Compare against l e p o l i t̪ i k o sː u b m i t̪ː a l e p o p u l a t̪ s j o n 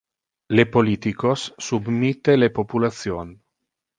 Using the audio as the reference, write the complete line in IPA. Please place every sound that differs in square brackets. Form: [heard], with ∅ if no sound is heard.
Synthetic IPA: l e p o l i t̪ i k o sː u b m i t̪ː [e] l e p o p u l a t̪ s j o n